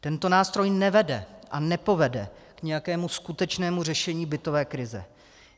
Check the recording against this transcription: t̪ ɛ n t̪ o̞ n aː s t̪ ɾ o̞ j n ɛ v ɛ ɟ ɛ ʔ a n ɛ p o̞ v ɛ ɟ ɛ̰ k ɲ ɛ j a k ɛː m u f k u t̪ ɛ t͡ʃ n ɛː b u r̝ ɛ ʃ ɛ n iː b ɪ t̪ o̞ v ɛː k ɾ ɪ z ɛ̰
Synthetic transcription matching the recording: t̪ ɛ n t̪ o̞ n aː s t̪ ɾ o̞ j n ɛ v ɛ d ɛ ʔ a n ɛ p o̞ v ɛ d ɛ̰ k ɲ ɛ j a k ɛː m u s k u t̪ ɛ t͡ʃ n ɛː m u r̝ ɛ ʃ ɛ ɲ iː b ɪ t̪ o̞ v ɛː k ɾ ɪ z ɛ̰